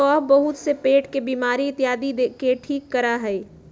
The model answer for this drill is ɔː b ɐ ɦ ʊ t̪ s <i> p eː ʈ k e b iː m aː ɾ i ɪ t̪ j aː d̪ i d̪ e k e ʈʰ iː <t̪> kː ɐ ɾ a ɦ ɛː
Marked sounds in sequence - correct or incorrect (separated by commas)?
incorrect, incorrect